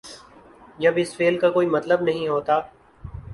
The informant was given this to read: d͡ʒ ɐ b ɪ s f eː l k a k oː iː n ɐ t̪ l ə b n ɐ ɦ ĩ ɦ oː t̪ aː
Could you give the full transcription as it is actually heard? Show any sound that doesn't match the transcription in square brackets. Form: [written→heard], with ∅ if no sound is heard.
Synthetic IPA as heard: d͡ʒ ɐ b ɪ s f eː l k a k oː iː [n→m] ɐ t̪ l ə b n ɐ ɦ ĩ ɦ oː t̪ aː